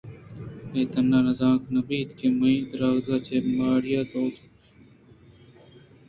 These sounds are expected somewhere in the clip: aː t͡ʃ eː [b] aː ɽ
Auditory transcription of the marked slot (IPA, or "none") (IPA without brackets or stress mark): m